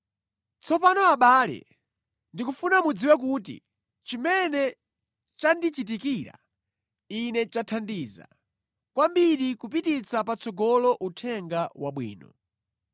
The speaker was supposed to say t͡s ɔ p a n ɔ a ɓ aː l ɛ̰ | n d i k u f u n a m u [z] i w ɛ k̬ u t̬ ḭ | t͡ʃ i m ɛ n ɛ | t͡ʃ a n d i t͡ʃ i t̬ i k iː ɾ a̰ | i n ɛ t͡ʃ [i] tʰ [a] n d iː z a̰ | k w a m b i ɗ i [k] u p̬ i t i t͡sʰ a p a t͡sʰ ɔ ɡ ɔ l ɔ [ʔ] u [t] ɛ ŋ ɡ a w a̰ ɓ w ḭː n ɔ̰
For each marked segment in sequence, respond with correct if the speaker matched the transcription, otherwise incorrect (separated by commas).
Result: incorrect, incorrect, correct, correct, correct, incorrect